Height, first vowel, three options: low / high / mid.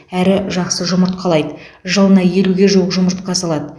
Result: low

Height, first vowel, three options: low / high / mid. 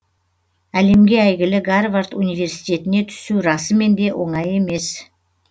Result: low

